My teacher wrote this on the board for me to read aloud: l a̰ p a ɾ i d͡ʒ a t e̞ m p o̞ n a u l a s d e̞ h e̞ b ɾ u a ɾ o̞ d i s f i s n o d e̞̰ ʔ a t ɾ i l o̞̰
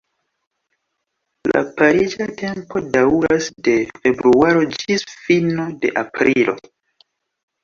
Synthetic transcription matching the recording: l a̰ p a ɾ i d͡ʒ a t e̞ m p o̞ d a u ɾ a s d e̞ f e̞ b ɾ u a ɾ o̞ d͡ʒ i s f i n o d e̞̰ ʔ a p ɾ i l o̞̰